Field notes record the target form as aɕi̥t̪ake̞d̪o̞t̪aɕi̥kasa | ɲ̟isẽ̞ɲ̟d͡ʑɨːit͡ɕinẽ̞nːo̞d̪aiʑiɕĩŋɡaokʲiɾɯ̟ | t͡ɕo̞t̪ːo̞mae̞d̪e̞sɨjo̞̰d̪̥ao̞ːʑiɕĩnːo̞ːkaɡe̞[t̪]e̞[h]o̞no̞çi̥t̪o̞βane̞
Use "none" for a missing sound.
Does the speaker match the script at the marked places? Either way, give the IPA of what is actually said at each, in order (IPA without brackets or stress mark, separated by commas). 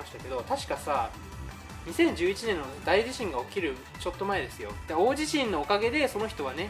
d̪, s